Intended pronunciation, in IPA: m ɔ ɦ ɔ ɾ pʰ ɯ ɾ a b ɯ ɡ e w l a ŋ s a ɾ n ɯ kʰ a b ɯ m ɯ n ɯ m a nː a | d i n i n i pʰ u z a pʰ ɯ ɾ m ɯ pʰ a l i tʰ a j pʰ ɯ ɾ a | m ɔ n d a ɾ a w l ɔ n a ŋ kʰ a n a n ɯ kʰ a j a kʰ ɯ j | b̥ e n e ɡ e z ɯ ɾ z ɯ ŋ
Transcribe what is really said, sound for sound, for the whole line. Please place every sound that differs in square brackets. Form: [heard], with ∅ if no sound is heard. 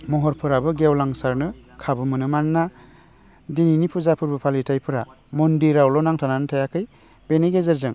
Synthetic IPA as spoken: m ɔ ɦ ɔ ɾ pʰ ɯ ɾ a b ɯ ɡ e w l a ŋ s a ɾ n ɯ kʰ a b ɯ m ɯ n ɯ m a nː a | d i n i n i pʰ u z a pʰ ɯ ɾ [b] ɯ pʰ a l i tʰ a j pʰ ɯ ɾ a | m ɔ n d [i] ɾ a w l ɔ n a ŋ [tʰ] a n a n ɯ [tʰ] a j a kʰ ɯ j | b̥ e n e ɡ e z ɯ ɾ z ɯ ŋ